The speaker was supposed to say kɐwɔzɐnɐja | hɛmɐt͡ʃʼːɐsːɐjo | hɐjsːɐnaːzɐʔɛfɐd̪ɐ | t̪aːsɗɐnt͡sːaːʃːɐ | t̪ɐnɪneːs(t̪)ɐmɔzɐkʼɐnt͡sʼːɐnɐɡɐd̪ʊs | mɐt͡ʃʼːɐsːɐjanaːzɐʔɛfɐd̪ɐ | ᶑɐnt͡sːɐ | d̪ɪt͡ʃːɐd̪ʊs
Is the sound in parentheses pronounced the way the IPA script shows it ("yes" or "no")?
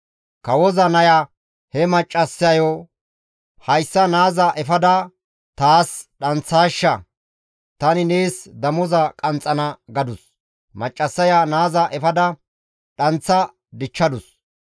no